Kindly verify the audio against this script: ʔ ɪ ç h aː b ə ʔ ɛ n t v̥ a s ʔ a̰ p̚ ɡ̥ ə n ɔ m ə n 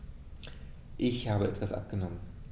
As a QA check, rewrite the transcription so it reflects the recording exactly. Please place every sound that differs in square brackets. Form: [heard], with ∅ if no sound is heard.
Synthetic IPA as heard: ʔ ɪ ç h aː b ə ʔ ɛ [∅] t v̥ a s ʔ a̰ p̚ ɡ̥ ə n ɔ m ə n